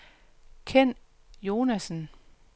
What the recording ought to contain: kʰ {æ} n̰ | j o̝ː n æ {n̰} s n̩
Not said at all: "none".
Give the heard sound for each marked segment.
e, none

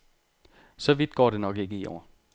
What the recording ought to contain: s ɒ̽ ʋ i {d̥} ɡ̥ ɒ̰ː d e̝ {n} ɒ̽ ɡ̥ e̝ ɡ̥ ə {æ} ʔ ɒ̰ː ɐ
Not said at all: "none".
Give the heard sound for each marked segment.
d̥, n, i

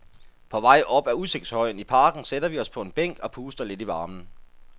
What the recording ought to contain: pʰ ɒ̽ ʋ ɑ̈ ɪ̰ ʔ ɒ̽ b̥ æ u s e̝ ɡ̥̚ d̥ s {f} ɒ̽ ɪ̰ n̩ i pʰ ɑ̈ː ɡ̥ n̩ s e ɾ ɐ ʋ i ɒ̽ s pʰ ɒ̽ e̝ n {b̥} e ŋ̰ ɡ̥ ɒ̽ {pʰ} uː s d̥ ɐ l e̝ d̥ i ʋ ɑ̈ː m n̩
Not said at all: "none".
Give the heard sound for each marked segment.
h, b̥, pʰ

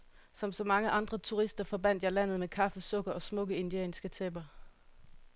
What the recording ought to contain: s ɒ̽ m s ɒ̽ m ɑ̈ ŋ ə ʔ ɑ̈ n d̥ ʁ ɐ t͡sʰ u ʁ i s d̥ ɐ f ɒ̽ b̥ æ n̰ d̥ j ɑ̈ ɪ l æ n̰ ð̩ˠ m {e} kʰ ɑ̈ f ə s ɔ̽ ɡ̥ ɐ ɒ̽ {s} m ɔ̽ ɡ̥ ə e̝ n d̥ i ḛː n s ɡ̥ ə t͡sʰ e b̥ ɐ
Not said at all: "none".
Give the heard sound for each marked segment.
e, s

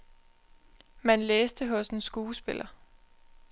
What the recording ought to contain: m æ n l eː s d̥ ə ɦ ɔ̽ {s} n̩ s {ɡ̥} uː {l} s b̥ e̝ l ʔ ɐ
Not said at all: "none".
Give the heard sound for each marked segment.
s, ɡ̥, none

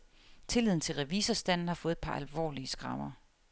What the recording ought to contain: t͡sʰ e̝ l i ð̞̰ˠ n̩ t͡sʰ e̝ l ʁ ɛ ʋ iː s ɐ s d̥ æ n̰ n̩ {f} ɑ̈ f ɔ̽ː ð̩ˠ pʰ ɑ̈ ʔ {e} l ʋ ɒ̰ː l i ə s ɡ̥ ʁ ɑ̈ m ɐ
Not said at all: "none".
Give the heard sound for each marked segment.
h, æ

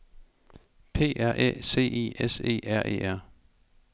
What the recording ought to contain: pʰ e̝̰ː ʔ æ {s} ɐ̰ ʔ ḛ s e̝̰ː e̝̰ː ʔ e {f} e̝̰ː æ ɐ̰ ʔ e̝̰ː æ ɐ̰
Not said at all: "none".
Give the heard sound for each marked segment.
none, s

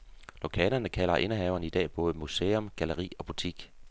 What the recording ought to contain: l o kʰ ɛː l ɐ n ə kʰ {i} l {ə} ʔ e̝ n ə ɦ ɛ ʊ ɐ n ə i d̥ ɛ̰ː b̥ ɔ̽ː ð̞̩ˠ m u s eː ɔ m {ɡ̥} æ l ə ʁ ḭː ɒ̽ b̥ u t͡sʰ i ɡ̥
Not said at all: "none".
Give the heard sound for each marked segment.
æ, ɐ, ɡ̥

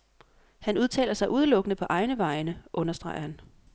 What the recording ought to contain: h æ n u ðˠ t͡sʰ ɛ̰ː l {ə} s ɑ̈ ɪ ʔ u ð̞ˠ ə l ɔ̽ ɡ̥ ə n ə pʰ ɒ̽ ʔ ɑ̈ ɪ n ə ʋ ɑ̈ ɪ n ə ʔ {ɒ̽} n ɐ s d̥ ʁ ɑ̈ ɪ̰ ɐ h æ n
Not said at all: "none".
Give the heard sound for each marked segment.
ɐ, ɔ̽

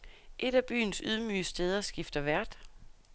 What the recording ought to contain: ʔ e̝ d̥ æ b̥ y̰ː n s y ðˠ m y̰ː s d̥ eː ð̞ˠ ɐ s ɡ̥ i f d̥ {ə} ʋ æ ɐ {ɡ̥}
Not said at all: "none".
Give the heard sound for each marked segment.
ɐ, d̥

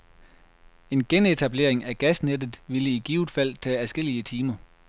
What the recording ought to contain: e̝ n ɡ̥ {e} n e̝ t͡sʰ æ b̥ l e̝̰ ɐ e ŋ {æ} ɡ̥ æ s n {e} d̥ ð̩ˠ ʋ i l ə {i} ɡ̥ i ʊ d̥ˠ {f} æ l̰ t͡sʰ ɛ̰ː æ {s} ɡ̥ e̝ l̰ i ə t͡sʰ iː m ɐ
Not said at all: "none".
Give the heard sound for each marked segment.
e, æ, e, i, f, s

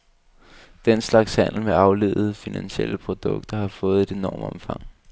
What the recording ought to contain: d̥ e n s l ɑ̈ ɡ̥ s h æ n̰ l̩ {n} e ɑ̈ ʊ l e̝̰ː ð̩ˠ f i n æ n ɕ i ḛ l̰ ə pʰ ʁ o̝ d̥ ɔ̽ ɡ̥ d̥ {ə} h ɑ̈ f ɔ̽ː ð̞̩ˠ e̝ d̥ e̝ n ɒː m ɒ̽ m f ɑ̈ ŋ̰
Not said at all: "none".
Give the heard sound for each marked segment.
m, ɐ

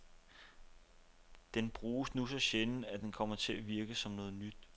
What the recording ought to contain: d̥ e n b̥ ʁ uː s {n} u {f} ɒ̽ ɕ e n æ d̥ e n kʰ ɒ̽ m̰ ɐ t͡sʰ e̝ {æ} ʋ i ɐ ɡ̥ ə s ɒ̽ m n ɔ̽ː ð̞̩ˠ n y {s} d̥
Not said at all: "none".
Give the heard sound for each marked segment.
n, s, æ, none

